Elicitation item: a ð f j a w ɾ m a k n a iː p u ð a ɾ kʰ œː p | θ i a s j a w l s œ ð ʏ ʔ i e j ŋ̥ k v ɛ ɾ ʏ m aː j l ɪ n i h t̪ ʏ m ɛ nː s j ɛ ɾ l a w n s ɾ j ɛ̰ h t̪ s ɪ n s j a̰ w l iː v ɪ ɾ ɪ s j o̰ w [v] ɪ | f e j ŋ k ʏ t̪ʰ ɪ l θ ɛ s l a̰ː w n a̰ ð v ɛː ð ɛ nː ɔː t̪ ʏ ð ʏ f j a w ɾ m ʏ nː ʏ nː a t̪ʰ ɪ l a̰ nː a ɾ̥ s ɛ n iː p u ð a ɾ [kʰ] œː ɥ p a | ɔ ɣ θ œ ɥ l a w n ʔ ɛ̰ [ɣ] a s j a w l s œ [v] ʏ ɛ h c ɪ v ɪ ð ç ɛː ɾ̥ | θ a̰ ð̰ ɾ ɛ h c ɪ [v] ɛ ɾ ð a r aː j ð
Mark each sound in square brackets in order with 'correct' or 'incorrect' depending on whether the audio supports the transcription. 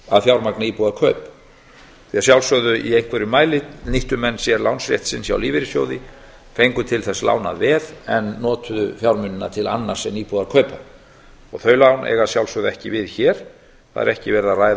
incorrect: ð, correct, correct, incorrect: ð, correct

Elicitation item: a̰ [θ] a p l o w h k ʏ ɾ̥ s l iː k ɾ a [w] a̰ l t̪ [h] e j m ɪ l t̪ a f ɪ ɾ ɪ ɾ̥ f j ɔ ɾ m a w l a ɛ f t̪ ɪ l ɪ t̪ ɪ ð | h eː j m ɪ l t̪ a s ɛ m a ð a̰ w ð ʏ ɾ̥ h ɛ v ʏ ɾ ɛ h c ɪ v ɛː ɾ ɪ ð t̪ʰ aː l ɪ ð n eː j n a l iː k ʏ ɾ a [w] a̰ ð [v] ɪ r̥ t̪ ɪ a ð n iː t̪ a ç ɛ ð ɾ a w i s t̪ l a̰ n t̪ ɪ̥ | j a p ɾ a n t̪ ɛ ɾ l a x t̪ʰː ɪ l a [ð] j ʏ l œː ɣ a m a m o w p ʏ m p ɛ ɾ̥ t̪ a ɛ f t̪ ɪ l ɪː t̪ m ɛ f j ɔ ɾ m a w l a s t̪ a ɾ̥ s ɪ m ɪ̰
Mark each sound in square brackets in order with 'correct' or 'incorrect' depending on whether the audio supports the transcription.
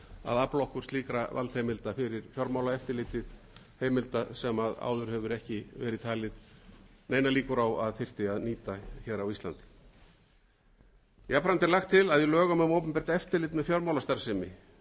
incorrect: ð, incorrect: v, correct, correct, incorrect: f, correct

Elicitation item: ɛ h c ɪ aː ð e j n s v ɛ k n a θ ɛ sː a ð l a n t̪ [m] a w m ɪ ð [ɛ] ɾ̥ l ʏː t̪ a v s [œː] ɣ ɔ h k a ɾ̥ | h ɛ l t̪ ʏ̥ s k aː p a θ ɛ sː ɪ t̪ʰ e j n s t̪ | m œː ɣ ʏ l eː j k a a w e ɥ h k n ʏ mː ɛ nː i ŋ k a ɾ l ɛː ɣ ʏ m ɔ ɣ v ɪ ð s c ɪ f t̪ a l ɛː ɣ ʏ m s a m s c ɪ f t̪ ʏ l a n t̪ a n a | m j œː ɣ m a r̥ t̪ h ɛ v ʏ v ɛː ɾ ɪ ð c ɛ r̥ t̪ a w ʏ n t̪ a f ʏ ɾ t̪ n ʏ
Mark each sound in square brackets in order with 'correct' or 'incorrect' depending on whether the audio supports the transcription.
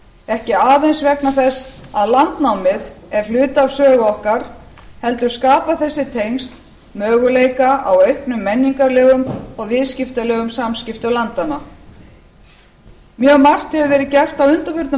incorrect: n, correct, correct

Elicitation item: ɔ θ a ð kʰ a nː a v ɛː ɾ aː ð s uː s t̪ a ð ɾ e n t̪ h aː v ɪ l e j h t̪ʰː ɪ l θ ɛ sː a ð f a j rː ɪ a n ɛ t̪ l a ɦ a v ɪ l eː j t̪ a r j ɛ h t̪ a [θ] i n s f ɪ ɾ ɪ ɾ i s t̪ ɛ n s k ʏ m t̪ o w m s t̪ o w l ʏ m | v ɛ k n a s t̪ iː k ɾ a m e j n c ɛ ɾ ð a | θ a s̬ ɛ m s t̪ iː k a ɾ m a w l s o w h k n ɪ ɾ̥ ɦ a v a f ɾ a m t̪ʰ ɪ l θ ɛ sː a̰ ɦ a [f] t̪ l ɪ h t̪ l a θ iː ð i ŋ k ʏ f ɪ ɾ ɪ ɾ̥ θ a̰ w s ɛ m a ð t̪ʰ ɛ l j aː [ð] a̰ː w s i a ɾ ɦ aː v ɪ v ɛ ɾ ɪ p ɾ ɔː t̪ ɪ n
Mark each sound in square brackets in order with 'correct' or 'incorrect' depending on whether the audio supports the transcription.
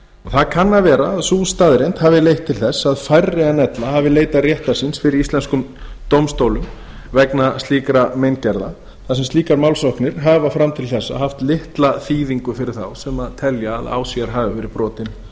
incorrect: s, correct, correct

